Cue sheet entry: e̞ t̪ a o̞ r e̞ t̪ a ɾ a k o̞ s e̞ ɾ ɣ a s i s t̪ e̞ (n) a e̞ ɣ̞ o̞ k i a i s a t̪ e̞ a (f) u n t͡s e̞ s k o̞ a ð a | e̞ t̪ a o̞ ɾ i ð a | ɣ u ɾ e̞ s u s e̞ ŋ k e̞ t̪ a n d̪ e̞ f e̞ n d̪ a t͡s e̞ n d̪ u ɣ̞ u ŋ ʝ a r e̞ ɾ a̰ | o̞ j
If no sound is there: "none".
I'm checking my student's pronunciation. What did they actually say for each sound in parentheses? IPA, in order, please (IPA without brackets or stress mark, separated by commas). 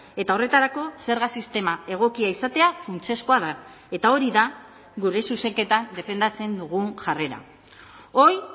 m, f